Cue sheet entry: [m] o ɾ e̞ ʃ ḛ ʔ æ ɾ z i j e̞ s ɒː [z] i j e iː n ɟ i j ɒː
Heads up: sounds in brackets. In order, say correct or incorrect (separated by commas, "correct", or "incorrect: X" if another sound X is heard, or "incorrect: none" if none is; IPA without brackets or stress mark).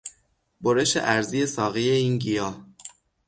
incorrect: b, incorrect: ɣ